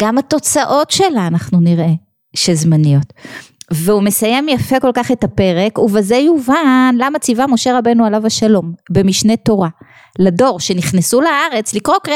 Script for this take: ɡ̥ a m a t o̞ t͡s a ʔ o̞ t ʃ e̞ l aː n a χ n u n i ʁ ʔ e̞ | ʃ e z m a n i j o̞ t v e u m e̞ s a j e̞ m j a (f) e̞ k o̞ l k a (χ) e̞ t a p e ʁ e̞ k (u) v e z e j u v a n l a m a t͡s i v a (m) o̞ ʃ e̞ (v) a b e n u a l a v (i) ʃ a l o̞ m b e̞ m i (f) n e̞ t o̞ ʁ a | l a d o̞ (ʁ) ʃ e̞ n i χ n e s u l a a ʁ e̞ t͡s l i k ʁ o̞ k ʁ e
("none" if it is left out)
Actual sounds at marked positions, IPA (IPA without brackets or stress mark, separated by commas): f, χ, u, m, ʁ, a, ʃ, ʁ